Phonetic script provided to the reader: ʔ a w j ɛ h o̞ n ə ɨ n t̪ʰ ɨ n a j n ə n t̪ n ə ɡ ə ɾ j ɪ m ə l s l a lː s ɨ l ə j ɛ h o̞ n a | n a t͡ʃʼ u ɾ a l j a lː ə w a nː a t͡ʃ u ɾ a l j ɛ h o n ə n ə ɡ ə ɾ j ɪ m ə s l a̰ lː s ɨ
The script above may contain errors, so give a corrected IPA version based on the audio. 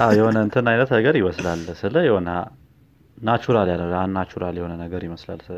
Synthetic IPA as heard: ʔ a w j ɛ h o̞ n ə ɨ n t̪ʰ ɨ n a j n ə t̪ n ə ɡ ə ɾ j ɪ m ə s l a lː s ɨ l ə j ɛ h o̞ n a | n a t͡ʃ u ɾ a l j a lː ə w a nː a t͡ʃ u ɾ a l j ɛ h o n ə n ə ɡ ə ɾ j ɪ m ə s l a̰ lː s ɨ